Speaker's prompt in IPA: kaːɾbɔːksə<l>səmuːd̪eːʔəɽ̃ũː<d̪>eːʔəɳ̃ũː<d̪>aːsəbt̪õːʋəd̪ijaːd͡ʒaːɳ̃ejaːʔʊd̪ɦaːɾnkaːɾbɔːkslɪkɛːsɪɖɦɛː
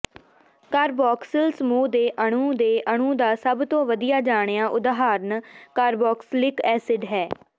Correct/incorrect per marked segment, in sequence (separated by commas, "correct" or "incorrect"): correct, correct, correct